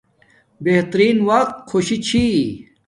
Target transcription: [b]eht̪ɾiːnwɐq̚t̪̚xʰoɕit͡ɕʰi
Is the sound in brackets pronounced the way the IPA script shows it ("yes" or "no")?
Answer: yes